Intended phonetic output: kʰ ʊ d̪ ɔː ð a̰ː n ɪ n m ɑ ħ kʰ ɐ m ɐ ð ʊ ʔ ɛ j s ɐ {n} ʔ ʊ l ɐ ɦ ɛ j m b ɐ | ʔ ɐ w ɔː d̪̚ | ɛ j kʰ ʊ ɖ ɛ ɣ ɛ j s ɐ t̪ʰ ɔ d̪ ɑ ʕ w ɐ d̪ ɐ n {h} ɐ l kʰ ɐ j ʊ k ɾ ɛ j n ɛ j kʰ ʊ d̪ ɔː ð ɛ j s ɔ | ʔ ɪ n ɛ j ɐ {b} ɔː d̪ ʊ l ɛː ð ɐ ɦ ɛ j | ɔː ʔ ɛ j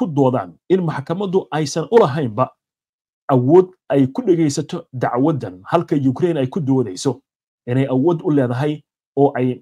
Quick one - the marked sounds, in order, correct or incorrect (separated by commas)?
correct, correct, incorrect